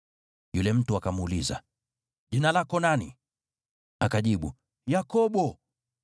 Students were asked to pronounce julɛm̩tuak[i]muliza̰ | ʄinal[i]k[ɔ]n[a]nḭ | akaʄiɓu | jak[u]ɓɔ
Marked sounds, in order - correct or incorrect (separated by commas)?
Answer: incorrect, incorrect, correct, correct, incorrect